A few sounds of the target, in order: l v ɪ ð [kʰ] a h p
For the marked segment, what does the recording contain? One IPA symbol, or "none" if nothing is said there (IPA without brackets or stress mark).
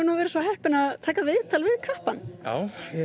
kʰ